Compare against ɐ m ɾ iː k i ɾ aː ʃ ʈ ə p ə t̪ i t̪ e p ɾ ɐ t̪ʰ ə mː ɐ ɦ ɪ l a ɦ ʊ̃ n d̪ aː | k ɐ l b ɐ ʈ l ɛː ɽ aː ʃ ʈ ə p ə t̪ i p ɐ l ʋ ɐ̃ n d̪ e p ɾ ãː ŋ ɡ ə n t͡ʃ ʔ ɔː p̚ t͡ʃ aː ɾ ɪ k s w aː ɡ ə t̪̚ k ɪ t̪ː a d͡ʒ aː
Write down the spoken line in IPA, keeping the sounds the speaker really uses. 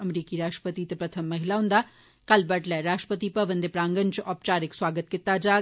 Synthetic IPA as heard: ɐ m ɾ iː k i ɾ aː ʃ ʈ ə p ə t̪ i t̪ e p ɾ ɐ t̪ʰ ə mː ɐ ɦ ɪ l a ɦ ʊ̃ n d̪ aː | k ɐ l b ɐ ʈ l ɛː ɾ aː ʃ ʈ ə p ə t̪ i p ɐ ʋ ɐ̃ n d̪ e p ɾ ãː ŋ ɡ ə n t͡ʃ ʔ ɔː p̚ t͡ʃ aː ɾ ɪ k s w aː ɡ ə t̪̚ k ɪ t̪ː a d͡ʒ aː

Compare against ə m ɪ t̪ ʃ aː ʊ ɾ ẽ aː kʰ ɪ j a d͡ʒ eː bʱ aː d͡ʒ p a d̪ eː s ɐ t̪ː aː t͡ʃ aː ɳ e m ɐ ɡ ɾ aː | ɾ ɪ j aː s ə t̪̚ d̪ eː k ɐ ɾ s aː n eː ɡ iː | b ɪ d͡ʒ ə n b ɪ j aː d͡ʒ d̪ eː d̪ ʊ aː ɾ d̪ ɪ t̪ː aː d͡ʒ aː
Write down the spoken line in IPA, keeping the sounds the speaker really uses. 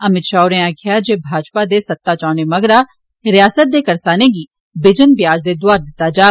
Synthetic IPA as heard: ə m ɪ t̪ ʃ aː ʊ ɾ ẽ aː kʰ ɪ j a d͡ʒ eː bʱ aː d͡ʒ p a d̪ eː s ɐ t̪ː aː t͡ʃ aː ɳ e m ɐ ɡ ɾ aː | ɾ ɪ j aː s ə t̪̚ d̪ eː k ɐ ɾ s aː n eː ɡ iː | b ɪ d͡ʒ ə n b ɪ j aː d͡ʒ d̪ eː d̪ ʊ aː ɾ d̪ ɪ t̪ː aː d͡ʒ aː

